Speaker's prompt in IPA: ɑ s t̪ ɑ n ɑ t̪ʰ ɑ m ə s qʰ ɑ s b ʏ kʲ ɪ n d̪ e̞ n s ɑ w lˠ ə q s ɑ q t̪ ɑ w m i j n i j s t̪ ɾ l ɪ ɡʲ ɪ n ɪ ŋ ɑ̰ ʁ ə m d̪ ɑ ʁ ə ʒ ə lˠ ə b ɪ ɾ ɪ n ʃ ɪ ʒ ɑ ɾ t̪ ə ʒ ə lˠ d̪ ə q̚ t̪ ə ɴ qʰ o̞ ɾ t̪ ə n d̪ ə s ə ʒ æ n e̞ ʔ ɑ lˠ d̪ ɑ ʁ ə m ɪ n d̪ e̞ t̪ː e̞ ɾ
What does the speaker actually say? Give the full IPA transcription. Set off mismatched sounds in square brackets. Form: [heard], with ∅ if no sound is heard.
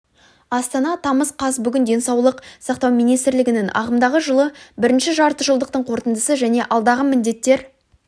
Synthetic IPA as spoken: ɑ s t̪ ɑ n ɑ t̪ʰ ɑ m ə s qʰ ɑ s b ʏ [ɡʲ] ɪ n d̪ e̞ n s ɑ w lˠ ə q s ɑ q t̪ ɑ w m i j n i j s t̪ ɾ l ɪ ɡʲ ɪ n ɪ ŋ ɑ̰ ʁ ə m d̪ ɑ ʁ ə ʒ ə lˠ ə b ɪ ɾ ɪ n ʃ ɪ ʒ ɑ ɾ t̪ ə ʒ ə lˠ d̪ ə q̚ t̪ ə ɴ qʰ o̞ ɾ t̪ ə n d̪ ə s ə ʒ æ n e̞ ʔ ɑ lˠ d̪ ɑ ʁ ə m ɪ n d̪ e̞ t̪ː e̞ ɾ

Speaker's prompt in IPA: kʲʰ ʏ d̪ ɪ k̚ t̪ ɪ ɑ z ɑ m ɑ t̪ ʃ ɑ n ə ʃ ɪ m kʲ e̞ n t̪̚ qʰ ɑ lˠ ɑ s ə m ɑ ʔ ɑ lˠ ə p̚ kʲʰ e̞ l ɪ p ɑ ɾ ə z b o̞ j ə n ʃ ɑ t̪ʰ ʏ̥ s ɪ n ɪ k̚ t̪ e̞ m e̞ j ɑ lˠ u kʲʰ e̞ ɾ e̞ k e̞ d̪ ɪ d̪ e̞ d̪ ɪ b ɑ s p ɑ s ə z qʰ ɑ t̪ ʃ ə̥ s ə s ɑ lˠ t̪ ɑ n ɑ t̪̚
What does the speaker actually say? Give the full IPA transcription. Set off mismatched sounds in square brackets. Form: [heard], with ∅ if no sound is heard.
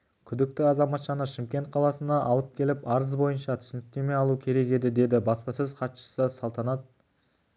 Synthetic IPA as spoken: kʲʰ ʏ d̪ ɪ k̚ t̪ ɪ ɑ z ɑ m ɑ t̪ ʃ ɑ n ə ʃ ɪ m kʲ e̞ n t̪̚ qʰ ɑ lˠ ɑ s ə [n] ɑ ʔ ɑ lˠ ə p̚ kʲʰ e̞ l ɪ p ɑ ɾ ə z b o̞ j ə n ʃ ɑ t̪ʰ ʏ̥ s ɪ n ɪ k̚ t̪ e̞ m e̞ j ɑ lˠ u kʲʰ e̞ ɾ e̞ k e̞ d̪ ɪ d̪ e̞ d̪ ɪ b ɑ s p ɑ s ə z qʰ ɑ t̪ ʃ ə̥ s ə s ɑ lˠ t̪ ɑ n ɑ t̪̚

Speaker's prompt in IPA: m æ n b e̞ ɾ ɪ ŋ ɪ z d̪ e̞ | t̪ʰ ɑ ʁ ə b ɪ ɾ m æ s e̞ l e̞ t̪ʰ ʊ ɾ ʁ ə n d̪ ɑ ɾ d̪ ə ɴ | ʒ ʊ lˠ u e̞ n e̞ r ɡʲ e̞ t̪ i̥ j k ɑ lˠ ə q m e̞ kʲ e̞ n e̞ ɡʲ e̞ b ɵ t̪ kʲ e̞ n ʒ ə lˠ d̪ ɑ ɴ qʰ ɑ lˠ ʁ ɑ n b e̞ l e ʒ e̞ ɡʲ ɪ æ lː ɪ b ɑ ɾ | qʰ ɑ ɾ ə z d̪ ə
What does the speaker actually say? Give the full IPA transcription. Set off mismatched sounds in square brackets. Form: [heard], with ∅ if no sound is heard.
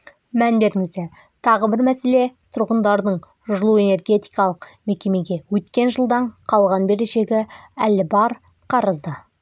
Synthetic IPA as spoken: m æ n b e̞ ɾ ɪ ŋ ɪ z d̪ e̞ | t̪ʰ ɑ ʁ ə b ɪ ɾ m æ s e̞ l e̞ t̪ʰ ʊ ɾ ʁ ə n d̪ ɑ ɾ d̪ ə ɴ | ʒ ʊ lˠ u e̞ n e̞ r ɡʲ e̞ t̪ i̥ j k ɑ lˠ ə q m e̞ kʲ e̞ [m] e̞ ɡʲ e̞ [w] ɵ t̪ kʲ e̞ n ʒ ə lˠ d̪ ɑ ɴ qʰ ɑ lˠ ʁ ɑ n b e̞ [ɾ] e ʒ e̞ ɡʲ ɪ æ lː ɪ b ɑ ɾ | qʰ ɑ ɾ ə z d̪ ə

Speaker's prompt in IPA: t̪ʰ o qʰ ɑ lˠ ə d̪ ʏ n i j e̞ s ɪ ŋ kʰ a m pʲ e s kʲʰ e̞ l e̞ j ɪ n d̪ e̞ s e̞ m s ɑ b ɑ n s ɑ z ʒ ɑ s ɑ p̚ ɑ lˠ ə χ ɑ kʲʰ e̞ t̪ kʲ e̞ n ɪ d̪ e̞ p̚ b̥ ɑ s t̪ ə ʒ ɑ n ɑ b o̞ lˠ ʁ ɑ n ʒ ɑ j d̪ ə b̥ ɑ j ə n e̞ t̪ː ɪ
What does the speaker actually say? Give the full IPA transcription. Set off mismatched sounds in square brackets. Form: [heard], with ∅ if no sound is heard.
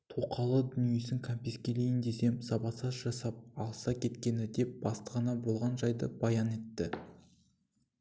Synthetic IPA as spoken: t̪ʰ o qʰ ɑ lˠ ə d̪ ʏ n i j e̞ s ɪ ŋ kʰ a m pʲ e s [kʲ] e̞ l e̞ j ɪ n d̪ e̞ s e̞ m s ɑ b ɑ [∅] s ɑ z ʒ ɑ s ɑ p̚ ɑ lˠ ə [s] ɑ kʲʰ e̞ t̪ kʲ e̞ n ɪ d̪ e̞ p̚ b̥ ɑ s t̪ ə [ʁ] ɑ n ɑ b o̞ lˠ ʁ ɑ n ʒ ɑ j d̪ ə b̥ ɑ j [ɑ] n e̞ t̪ː ɪ

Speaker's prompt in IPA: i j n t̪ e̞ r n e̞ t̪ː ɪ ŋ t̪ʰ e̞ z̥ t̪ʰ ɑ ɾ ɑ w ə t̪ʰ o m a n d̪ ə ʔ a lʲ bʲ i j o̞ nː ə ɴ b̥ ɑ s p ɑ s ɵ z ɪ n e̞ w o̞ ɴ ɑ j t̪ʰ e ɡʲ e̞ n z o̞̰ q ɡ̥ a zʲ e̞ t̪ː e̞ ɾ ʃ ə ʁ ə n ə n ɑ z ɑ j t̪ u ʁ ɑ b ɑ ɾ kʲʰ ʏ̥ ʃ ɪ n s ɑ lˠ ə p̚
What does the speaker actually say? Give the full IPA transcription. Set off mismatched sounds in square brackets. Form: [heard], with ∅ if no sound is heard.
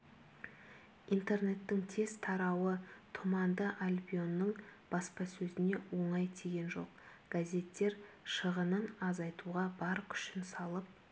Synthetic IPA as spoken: i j n t̪ e̞ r n e̞ t̪ː ɪ ŋ t̪ʰ e̞ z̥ t̪ʰ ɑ ɾ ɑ w ə t̪ʰ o m [ɑ] n d̪ ə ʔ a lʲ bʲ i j o̞ nː ə ɴ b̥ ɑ s p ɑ s ɵ z ɪ n e̞ w o̞ ɴ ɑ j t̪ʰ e ɡʲ e̞ n [ʒ] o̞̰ q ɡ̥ a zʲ e̞ t̪ː e̞ ɾ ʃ ə ʁ ə n ə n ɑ z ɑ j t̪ u ʁ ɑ b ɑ ɾ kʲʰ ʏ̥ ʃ ɪ n s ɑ lˠ ə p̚

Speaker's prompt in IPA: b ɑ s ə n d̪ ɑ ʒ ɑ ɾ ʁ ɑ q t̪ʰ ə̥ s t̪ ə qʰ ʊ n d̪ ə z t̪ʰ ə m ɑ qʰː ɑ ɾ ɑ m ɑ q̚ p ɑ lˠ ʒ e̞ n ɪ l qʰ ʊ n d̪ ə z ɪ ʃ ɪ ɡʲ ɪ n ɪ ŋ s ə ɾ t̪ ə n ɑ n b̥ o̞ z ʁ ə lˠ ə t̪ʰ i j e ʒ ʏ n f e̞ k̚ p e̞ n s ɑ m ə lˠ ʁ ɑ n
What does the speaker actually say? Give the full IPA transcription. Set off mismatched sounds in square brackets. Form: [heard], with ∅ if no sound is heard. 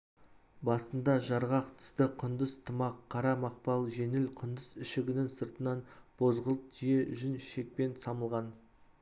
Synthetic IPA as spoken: b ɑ s ə n d̪ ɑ ʒ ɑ ɾ ʁ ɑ q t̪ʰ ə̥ s t̪ ə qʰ ʊ n d̪ ə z t̪ʰ ə m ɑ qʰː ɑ ɾ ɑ m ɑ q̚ p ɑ lˠ ʒ e̞ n ɪ l qʰ ʊ n d̪ ə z ɪ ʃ ɪ ɡʲ ɪ n ɪ ŋ s ə ɾ t̪ ə n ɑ n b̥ o̞ z ʁ ə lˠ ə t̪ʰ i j e ʒ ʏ n [ʃ] e̞ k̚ p e̞ n s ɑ m ə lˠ ʁ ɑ n

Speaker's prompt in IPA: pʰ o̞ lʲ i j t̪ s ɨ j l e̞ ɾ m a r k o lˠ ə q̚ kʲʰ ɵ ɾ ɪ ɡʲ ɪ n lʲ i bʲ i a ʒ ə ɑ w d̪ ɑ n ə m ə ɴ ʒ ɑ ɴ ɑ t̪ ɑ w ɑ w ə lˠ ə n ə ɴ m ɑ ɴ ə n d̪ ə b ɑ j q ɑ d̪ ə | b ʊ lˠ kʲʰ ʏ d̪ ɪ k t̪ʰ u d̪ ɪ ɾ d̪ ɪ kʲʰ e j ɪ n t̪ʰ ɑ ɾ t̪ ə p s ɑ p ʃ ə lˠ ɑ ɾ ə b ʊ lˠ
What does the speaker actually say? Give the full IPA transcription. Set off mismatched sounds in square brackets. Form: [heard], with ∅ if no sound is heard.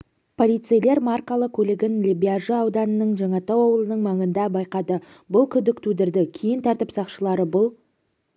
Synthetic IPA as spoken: pʰ o̞ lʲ i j t̪ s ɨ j l e̞ ɾ m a r k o lˠ ə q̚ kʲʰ ɵ [l] ɪ ɡʲ ɪ n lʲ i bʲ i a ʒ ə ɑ w d̪ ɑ n ə [n] ə ɴ ʒ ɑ ɴ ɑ t̪ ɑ w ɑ w ə lˠ ə n ə ɴ m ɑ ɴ ə n d̪ [ɑ] b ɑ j q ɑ d̪ ə | b ʊ lˠ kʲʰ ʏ d̪ ɪ k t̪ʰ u d̪ ɪ ɾ d̪ ɪ kʲʰ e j ɪ n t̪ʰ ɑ ɾ t̪ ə p s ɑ [q] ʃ ə lˠ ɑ ɾ ə b ʊ lˠ

